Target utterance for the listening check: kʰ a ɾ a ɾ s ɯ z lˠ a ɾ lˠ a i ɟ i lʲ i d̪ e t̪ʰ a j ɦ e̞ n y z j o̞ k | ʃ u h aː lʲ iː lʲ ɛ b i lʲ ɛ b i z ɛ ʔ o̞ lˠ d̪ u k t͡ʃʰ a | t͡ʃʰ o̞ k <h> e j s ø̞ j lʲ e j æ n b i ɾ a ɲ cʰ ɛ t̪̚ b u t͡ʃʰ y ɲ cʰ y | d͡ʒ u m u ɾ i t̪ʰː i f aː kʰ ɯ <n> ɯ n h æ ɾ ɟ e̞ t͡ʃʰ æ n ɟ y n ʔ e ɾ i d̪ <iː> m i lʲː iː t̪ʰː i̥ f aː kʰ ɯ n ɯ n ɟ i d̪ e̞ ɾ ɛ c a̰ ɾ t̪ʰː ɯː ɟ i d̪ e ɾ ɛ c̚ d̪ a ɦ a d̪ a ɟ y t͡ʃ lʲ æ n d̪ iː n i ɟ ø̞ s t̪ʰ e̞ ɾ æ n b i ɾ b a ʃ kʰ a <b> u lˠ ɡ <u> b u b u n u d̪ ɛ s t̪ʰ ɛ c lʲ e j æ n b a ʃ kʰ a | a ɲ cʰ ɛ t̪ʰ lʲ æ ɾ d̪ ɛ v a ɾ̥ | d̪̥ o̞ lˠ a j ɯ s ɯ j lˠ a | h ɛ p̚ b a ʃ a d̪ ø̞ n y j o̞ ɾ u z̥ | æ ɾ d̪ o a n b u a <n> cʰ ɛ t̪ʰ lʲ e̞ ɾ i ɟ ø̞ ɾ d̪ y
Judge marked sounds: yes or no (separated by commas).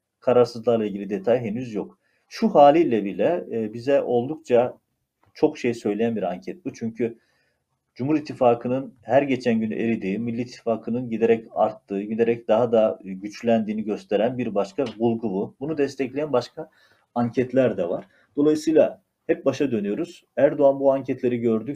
no, yes, yes, yes, yes, no